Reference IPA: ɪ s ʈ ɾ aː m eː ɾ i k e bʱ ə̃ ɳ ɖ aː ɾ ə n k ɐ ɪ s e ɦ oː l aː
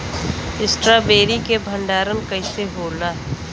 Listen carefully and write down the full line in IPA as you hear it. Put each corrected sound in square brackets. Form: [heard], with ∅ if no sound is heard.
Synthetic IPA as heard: ɪ s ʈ ɾ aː [b] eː ɾ i k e bʱ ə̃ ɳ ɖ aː ɾ ə n k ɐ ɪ s e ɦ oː l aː